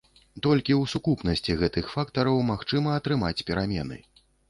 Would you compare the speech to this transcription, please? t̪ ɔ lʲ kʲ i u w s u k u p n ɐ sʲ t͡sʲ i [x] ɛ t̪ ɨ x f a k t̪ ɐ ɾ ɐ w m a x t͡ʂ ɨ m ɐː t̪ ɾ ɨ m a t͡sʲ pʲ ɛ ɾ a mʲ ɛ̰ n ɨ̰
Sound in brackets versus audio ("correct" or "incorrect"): incorrect